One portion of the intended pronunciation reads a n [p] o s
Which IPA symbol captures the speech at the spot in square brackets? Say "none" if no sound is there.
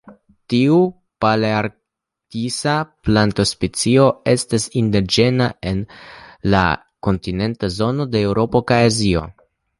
t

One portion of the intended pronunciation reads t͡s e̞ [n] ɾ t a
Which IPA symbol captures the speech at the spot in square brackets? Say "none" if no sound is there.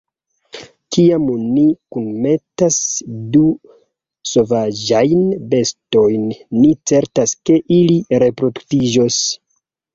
none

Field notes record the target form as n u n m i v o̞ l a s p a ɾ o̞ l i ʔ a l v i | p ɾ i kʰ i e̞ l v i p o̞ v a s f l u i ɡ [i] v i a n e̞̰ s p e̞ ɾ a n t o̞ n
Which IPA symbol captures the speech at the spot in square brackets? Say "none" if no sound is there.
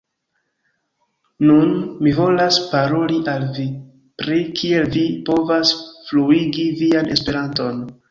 i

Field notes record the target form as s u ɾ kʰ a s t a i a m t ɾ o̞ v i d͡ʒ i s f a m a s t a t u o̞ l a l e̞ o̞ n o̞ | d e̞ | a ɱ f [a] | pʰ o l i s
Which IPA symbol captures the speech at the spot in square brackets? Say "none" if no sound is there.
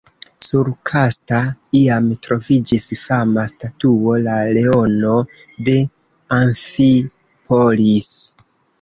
i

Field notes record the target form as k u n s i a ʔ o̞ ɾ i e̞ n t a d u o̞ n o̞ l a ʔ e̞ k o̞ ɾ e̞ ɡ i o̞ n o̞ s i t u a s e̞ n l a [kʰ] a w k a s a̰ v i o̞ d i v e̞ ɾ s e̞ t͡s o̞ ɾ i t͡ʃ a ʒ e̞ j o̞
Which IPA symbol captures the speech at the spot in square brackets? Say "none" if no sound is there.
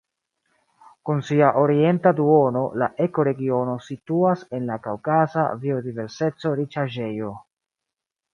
k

